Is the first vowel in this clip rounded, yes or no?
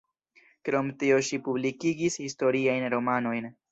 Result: yes